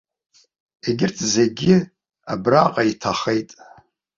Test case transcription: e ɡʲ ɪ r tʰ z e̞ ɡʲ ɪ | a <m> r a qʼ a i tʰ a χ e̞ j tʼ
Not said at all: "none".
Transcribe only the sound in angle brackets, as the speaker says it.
b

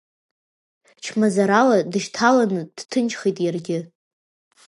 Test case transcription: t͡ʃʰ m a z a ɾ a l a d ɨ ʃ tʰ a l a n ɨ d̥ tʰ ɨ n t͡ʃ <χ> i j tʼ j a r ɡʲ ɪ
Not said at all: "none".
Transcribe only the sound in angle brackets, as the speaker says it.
χ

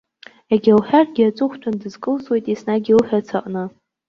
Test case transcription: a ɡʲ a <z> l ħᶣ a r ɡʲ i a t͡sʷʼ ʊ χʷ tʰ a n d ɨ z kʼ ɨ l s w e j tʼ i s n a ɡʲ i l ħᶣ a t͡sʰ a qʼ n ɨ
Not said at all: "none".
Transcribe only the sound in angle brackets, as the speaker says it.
none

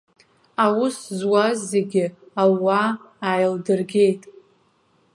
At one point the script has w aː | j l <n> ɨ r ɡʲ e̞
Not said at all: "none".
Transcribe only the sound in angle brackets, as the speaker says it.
d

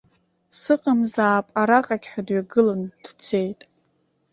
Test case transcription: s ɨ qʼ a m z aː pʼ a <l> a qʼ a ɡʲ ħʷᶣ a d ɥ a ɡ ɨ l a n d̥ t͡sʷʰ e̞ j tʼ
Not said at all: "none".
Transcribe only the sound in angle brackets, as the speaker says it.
ɾ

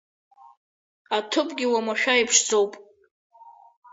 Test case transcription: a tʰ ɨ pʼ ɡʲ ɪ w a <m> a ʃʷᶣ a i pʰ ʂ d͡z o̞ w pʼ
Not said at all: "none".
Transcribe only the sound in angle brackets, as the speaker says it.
m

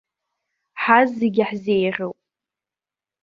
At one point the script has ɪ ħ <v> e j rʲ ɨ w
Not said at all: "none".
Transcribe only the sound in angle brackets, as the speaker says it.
z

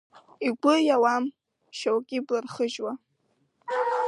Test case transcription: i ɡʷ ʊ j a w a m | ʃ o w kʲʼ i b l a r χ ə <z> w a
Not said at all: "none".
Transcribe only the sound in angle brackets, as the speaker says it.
ʒ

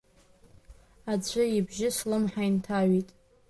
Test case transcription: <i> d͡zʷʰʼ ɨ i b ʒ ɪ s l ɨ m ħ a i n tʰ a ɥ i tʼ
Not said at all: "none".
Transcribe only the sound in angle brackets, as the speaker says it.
a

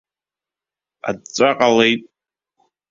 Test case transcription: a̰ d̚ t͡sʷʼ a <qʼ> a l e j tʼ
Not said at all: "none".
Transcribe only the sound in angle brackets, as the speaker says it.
qʼ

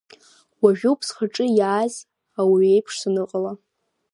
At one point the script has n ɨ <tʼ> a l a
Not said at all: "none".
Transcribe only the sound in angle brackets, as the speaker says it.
qʼ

